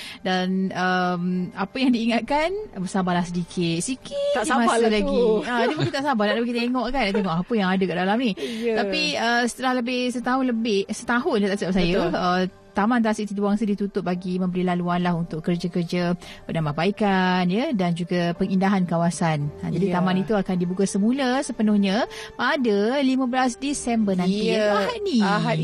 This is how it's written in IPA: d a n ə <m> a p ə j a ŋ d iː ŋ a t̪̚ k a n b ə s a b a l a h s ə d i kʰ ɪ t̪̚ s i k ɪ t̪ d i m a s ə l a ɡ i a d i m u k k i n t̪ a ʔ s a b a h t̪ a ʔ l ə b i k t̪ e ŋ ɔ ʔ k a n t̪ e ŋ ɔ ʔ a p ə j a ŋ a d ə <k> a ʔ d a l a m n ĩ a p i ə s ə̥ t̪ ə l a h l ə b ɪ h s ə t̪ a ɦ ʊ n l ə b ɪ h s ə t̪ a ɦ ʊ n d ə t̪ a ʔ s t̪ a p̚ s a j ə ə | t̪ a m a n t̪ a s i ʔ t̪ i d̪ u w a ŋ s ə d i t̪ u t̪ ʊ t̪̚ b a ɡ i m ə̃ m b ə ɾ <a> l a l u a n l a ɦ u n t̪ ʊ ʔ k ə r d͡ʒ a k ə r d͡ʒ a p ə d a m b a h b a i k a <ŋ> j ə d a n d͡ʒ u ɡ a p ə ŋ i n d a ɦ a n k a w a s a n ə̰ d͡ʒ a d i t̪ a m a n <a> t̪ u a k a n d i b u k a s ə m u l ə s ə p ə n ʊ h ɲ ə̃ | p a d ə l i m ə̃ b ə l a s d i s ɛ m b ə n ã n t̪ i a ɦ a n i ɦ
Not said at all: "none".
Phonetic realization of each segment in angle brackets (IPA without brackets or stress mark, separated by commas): m, k, i, n, i